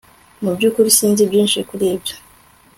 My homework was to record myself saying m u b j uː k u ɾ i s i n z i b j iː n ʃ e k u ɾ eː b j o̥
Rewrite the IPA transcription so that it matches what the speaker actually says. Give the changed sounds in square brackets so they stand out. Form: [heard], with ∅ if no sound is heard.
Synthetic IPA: m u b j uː k u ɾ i s [iː] n z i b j iː n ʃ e k u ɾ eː b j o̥